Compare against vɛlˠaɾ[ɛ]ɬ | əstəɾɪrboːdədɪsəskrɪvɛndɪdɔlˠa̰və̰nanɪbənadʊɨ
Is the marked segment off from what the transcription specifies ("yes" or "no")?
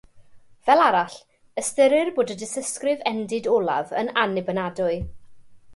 yes